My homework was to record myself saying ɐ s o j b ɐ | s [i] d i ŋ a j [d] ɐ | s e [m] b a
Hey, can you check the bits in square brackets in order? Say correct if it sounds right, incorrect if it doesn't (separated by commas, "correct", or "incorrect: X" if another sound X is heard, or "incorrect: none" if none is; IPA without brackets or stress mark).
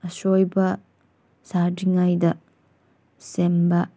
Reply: incorrect: a, correct, correct